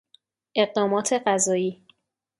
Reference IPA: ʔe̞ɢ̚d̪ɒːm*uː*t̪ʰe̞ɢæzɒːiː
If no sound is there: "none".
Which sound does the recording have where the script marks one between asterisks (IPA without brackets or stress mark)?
ɒː